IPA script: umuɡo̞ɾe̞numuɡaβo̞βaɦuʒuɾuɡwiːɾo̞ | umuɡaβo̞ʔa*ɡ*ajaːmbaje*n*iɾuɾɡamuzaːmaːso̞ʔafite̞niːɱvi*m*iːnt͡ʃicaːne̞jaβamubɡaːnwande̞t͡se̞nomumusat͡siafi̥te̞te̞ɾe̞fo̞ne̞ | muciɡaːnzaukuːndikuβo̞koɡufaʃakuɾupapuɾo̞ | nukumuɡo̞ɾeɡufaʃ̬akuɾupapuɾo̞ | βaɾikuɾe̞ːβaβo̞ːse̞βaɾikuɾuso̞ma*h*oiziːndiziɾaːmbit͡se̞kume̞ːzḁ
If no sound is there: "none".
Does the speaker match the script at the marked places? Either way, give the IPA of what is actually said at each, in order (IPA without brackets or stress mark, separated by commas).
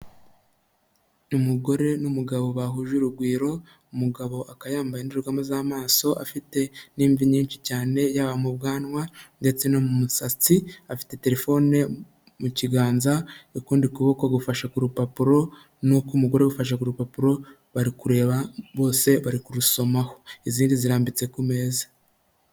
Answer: k, n, ɲ, h